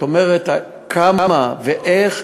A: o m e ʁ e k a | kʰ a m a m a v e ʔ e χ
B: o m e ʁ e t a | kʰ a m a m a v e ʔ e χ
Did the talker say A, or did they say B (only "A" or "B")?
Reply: B